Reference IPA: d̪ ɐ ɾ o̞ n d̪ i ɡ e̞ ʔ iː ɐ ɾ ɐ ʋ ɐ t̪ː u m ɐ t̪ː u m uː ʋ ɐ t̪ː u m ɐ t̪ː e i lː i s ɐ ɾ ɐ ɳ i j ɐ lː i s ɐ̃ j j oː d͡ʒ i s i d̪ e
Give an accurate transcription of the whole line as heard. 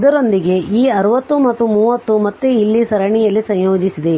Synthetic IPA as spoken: d̪ ɐ ɾ o̞ n d̪ i ɡ e̞ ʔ iː ɐ ɾ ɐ ʋ ɐ t̪ː u m ɐ t̪ː u m uː ʋ ɐ t̪ː u m ɐ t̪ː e i lː i s ɐ ɾ ɐ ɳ i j ɐ lː i s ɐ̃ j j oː d͡ʒ i s i d̪ e